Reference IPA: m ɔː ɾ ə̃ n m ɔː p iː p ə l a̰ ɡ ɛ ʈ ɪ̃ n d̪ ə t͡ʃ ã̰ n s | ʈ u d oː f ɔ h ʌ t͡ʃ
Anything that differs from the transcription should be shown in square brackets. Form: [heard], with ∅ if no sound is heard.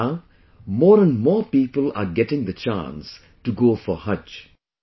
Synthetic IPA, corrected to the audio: m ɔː ɾ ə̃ n m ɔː p iː p ə l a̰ ɡ ɛ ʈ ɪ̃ [ŋ] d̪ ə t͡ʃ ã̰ n s | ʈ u [ɡ] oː f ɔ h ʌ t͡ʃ